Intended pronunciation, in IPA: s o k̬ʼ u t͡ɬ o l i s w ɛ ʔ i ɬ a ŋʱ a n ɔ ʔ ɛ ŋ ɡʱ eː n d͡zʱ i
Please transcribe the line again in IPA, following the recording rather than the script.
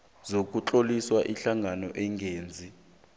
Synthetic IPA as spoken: z o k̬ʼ u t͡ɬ o l i s w a ʔ i ɬ a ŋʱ a n ɔ ʔ ɛ ŋ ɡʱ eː n d͡zʱ i